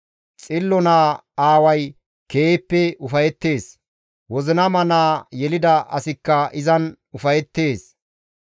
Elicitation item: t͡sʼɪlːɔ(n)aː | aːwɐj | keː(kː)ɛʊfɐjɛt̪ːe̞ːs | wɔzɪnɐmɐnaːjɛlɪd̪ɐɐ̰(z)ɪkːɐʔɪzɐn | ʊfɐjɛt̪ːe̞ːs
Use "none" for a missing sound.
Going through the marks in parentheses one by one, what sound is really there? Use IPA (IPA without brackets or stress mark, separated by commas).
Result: n, pː, s